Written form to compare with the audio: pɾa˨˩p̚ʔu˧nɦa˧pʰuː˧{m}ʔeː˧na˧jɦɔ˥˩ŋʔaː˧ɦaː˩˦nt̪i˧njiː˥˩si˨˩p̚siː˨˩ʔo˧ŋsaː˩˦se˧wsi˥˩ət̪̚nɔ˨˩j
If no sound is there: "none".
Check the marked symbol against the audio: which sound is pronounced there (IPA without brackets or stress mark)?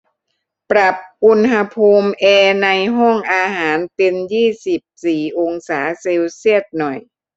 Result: m